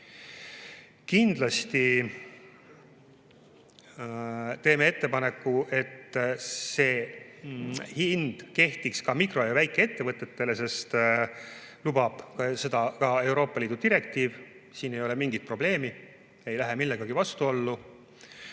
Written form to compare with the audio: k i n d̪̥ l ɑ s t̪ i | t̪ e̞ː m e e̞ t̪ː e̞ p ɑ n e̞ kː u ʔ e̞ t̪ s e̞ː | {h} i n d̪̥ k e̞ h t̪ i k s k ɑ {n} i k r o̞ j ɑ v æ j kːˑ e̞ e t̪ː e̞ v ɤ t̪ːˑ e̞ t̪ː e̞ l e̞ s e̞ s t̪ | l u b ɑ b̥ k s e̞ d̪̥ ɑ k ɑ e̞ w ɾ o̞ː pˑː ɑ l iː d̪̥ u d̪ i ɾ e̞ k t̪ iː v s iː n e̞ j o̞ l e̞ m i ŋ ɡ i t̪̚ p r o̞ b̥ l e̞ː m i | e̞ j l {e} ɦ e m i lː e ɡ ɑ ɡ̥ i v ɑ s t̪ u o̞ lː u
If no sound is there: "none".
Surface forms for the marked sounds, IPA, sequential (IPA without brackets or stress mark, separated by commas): h, m, æ